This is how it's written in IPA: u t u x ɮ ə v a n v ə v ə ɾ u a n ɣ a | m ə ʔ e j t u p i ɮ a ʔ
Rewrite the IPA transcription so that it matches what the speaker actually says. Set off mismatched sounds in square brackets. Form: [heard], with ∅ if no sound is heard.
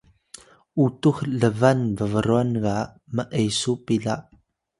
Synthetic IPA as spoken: u t u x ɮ ə v a n v ə v ə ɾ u a n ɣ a | m ə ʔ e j [s] u p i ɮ a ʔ